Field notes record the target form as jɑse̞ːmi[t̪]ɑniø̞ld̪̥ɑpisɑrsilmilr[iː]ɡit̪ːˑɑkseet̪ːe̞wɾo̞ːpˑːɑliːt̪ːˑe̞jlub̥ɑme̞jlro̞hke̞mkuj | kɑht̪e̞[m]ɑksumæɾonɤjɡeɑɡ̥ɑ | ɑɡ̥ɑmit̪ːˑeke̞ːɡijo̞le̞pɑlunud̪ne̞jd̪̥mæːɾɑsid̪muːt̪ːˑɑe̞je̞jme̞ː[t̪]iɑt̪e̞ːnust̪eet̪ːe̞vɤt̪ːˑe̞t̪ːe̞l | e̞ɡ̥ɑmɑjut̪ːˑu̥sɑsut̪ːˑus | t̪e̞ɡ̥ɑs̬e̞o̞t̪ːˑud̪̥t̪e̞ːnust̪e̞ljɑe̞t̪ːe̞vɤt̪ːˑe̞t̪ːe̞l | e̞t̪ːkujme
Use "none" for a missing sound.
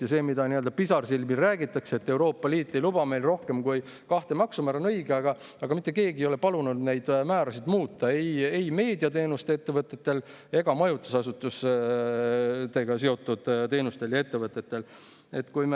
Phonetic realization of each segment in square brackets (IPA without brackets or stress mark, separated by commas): d̪, æː, m, d̪